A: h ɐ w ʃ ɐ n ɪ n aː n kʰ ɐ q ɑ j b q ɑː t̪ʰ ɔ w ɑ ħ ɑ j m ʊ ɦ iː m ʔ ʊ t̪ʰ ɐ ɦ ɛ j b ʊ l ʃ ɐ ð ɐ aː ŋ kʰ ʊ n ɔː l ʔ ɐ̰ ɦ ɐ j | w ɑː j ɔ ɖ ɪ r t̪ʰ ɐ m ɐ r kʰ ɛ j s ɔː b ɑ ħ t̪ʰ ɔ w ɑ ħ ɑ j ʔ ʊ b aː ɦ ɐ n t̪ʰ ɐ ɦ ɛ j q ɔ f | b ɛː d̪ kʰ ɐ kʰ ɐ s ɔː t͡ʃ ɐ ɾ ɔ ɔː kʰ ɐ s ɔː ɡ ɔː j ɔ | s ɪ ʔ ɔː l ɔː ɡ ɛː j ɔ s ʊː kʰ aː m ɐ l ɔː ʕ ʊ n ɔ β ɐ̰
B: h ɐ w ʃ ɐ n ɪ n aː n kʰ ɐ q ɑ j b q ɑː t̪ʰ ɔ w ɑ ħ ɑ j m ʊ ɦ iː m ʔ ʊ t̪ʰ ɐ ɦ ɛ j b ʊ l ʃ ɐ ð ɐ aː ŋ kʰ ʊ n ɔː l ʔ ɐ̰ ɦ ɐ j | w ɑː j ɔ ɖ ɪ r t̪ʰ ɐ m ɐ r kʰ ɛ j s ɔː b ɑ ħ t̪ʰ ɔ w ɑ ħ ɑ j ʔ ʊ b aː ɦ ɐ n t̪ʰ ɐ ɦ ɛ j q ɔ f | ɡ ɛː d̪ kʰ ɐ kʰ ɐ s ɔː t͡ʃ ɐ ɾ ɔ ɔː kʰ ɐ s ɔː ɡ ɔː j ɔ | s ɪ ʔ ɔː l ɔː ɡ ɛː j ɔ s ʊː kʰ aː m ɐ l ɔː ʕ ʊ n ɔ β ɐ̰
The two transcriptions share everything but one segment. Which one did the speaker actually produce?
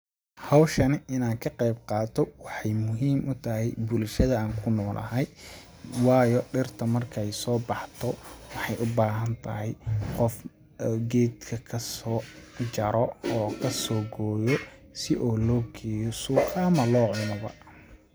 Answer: B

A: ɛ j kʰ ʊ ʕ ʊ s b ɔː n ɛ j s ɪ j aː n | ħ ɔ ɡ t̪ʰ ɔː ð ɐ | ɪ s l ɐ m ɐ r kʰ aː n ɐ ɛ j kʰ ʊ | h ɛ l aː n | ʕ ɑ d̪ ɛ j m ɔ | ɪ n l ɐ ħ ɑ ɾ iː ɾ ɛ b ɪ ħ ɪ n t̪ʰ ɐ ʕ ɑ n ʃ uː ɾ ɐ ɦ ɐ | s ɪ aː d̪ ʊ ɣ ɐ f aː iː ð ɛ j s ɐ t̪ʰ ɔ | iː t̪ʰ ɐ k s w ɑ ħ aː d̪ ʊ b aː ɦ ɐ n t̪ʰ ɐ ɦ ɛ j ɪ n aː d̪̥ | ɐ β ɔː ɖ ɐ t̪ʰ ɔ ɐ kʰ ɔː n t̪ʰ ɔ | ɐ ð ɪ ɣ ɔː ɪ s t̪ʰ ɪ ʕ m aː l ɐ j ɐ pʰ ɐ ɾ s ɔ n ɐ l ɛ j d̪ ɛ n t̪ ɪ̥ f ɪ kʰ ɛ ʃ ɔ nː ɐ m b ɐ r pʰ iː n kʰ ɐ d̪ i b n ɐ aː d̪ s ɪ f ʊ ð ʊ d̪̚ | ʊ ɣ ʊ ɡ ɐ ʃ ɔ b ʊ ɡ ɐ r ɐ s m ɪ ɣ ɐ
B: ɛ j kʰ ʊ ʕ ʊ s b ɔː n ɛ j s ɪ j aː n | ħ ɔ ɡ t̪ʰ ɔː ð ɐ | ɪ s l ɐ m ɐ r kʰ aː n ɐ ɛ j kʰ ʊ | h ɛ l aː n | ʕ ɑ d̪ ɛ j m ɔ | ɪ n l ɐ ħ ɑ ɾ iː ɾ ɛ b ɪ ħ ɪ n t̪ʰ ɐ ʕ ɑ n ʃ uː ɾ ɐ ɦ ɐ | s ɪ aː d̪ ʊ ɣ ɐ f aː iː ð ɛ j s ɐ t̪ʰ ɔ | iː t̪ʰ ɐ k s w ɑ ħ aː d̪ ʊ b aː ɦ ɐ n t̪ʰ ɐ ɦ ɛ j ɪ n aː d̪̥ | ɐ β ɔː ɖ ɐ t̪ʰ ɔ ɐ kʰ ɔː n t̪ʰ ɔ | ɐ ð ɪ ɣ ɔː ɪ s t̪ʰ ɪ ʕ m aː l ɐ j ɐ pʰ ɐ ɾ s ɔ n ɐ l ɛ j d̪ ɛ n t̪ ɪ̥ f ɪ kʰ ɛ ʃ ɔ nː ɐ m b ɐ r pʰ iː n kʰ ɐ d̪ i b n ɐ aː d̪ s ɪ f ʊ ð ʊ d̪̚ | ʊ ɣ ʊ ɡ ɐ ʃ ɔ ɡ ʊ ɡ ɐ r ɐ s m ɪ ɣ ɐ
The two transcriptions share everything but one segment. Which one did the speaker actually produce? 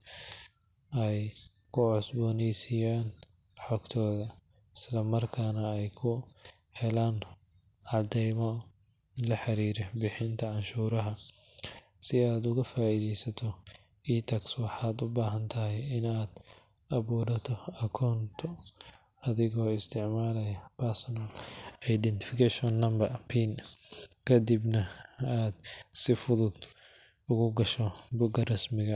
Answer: A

